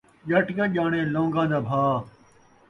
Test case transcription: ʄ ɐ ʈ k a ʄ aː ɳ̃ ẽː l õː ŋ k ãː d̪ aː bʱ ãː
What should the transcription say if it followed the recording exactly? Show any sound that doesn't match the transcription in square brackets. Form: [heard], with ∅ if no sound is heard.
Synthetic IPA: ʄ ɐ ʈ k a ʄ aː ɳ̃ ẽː l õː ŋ [ɡ] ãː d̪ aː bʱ [aː]